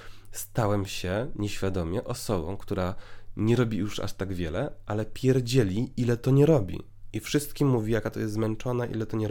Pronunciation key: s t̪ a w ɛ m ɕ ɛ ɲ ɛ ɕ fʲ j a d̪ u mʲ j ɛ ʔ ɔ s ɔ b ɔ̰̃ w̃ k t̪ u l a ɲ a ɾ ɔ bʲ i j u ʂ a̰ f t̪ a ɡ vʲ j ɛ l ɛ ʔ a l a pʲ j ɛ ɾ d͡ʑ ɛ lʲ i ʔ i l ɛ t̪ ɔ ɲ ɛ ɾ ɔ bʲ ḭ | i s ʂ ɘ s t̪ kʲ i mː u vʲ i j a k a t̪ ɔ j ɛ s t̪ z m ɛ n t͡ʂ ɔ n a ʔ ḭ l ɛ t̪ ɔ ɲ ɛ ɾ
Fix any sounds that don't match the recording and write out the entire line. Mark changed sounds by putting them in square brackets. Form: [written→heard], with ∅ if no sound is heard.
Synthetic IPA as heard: s t̪ a w ɛ m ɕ ɛ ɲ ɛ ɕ fʲ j a d̪ [u→ɔ] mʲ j ɛ ʔ ɔ s ɔ b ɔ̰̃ w̃ k t̪ u [l→ɾ] a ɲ [a→ɛ] ɾ ɔ bʲ i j u ʂ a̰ [f→ʂ] t̪ a ɡ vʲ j ɛ l ɛ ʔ a l [a→ɛ] pʲ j ɛ ɾ d͡ʑ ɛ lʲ i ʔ i l ɛ t̪ ɔ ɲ ɛ ɾ ɔ bʲ ḭ | i [s→f] ʂ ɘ s t̪ kʲ i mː u vʲ i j a k a t̪ ɔ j ɛ s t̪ z m ɛ n t͡ʂ ɔ n a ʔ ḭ l ɛ t̪ ɔ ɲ ɛ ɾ